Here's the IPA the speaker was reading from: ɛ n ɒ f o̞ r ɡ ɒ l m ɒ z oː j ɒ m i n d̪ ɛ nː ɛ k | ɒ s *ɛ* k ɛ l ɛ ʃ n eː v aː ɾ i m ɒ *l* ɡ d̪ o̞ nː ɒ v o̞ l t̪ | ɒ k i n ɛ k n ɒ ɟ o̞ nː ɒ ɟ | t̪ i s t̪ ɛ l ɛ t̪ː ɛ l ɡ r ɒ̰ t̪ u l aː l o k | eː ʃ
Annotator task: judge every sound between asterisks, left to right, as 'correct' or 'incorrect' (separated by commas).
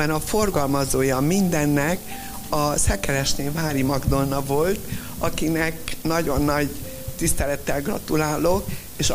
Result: correct, incorrect